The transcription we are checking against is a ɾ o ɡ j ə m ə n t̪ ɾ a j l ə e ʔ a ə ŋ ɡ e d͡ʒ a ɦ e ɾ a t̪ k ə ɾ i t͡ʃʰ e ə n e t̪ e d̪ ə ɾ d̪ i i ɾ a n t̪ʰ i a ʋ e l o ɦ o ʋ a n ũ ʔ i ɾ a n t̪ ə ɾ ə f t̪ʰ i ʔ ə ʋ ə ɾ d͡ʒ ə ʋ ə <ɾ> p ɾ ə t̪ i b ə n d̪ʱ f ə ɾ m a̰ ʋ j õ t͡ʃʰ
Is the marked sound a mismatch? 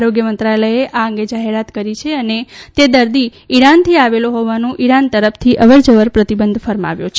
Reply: no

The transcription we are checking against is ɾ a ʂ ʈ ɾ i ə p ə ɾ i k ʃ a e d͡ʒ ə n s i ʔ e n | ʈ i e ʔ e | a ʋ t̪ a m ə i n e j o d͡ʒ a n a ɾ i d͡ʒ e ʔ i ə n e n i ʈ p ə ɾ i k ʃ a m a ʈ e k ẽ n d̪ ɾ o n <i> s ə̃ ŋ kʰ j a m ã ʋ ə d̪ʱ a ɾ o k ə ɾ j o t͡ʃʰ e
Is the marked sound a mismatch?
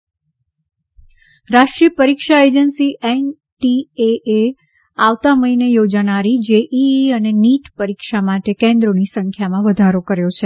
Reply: no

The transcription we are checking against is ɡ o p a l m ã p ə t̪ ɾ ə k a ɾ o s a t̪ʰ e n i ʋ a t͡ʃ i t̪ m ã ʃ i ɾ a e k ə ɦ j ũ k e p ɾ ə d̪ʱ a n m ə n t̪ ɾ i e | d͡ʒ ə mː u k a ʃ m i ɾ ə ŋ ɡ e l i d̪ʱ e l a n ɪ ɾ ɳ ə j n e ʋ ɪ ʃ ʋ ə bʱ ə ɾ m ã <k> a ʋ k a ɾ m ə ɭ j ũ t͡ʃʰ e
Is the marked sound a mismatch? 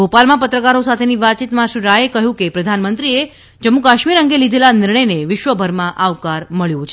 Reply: yes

